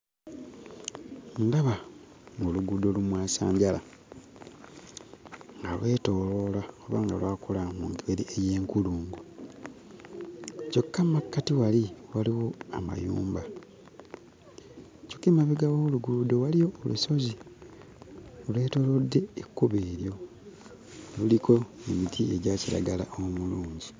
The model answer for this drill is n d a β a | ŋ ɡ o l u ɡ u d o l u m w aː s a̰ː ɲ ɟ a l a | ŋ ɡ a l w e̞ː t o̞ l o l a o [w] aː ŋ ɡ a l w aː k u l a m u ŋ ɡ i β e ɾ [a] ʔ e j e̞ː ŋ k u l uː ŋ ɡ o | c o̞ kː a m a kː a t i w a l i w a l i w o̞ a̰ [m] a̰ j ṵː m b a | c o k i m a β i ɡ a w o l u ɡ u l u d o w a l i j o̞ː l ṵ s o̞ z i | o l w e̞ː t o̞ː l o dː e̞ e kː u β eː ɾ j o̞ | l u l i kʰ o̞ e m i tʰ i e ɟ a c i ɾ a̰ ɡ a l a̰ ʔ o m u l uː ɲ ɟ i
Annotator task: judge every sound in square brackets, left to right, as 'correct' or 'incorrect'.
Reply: incorrect: β, incorrect: i, correct

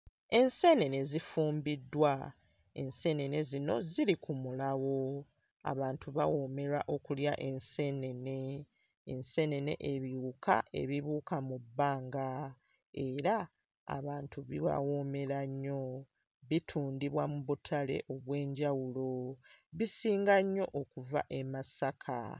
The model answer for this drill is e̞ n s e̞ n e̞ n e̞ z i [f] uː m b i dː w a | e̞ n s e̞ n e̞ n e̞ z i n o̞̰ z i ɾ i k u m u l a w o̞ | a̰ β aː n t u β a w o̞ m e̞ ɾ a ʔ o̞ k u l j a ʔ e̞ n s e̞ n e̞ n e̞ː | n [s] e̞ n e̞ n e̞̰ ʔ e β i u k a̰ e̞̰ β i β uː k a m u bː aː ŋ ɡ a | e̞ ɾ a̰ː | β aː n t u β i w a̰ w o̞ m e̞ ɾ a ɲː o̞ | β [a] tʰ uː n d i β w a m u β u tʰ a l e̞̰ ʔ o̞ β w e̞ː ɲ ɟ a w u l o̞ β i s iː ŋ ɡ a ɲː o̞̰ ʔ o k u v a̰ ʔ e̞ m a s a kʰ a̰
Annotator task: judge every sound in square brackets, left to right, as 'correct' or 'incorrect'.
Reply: correct, correct, incorrect: i

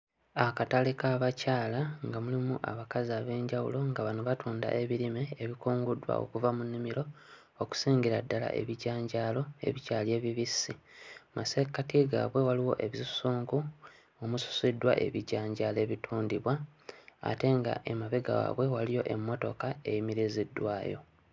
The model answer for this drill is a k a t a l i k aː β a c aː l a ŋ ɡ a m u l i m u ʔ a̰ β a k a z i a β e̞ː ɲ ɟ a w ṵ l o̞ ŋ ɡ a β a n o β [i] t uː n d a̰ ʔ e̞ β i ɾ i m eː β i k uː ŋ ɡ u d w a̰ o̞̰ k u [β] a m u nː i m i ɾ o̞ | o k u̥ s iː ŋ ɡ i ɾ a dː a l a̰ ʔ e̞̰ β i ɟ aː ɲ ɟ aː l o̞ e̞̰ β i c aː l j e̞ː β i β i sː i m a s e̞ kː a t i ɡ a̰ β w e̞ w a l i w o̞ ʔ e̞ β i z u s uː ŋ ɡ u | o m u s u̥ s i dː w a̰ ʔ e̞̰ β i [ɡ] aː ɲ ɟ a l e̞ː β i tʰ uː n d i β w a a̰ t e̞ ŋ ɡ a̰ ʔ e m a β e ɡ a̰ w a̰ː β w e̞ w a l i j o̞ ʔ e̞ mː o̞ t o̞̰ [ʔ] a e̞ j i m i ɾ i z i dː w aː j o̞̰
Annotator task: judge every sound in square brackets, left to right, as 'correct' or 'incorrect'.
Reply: incorrect: a, incorrect: v, incorrect: ɟ, incorrect: k

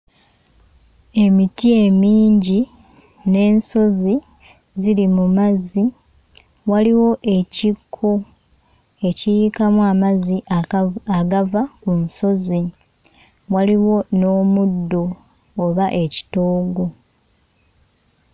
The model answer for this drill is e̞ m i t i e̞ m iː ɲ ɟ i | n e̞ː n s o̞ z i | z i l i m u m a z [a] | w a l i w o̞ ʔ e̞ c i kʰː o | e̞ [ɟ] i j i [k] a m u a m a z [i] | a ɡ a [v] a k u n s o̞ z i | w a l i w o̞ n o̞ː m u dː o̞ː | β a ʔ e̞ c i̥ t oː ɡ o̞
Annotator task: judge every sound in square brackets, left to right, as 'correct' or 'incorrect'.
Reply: incorrect: i, incorrect: c, correct, correct, correct

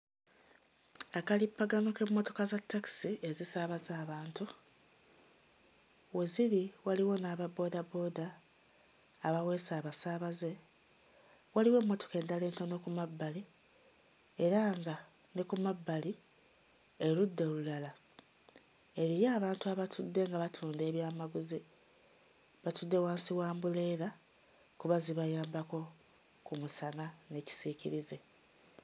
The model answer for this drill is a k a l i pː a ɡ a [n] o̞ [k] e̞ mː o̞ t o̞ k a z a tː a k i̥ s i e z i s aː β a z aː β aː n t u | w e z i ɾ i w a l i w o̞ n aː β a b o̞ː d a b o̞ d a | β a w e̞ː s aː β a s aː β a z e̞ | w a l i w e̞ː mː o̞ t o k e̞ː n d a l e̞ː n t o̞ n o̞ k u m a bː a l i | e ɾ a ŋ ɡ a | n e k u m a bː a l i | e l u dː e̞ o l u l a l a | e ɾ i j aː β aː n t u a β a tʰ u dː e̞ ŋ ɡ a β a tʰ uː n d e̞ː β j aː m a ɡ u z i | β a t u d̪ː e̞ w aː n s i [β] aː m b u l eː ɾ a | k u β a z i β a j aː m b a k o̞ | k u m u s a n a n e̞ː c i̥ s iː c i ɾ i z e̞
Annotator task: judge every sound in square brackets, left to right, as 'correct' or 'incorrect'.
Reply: correct, correct, incorrect: w

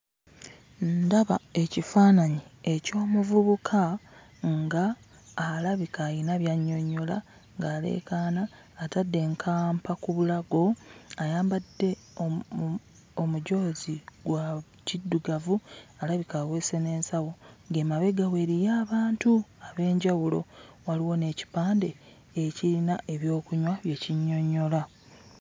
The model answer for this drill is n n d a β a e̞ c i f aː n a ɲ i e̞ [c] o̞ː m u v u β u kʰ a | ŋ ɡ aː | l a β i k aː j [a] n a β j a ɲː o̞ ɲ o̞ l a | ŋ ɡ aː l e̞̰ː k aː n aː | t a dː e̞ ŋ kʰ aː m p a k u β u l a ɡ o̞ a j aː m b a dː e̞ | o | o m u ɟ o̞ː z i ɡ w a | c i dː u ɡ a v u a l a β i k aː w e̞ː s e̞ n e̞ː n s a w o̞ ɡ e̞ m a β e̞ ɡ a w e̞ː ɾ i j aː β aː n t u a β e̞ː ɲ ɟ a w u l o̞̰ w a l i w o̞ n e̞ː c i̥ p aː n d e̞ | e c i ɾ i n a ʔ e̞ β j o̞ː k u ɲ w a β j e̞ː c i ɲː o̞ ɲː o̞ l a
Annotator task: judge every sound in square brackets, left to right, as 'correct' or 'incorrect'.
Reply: correct, incorrect: i

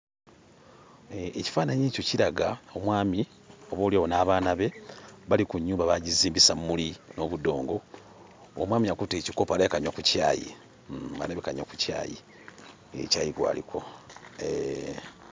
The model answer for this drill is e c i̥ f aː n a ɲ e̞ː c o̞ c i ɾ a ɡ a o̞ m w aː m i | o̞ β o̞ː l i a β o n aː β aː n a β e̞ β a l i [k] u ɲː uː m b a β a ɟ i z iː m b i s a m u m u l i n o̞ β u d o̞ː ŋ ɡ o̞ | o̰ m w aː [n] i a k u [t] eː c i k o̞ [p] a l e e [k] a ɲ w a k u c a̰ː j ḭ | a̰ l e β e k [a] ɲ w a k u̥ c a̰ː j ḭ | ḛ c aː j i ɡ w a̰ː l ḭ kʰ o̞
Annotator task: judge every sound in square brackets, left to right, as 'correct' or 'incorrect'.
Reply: correct, incorrect: m, correct, correct, correct, correct

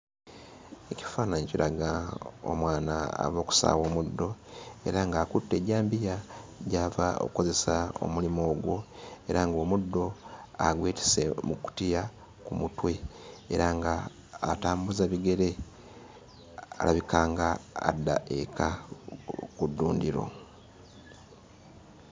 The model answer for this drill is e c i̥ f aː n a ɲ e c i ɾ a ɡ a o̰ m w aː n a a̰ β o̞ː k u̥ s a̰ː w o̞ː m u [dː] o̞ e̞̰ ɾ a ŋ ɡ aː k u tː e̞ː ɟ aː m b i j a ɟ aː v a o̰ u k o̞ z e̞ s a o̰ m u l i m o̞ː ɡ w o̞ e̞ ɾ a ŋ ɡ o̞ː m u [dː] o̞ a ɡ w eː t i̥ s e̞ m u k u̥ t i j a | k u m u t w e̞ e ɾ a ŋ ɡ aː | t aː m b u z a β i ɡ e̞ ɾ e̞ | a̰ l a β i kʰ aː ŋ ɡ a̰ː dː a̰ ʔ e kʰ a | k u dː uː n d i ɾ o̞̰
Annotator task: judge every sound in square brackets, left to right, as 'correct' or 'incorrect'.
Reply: correct, correct

